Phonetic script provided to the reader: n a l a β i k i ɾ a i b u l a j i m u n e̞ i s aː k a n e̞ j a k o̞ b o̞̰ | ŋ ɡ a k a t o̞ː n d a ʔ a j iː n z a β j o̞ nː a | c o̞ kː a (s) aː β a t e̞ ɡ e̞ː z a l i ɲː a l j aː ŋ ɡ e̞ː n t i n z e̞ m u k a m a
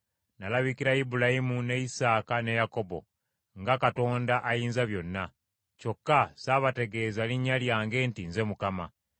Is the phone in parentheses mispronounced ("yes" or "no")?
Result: no